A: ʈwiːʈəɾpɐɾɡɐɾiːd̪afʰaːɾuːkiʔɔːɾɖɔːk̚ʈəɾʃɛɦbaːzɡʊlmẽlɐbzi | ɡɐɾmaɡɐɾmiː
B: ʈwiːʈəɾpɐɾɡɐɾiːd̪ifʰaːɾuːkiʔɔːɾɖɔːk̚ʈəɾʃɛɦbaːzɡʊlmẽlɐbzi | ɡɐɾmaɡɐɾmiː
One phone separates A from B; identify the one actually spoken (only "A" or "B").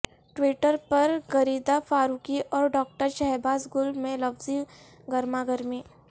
A